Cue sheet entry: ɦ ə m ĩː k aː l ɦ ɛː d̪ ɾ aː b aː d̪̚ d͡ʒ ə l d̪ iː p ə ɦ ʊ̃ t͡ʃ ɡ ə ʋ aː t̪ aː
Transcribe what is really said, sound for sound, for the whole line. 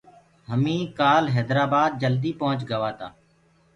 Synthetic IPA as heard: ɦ ə m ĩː k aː l ɦ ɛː d̪ ɾ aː b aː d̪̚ d͡ʒ ə l d̪ iː p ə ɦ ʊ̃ t͡ʃ ɡ ə ʋ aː t̪ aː